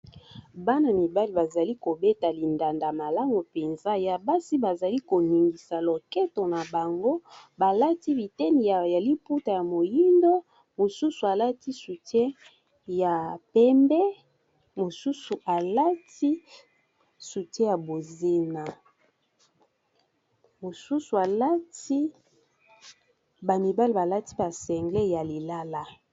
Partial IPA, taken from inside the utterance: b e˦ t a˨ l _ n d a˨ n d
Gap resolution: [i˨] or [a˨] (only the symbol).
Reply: i˨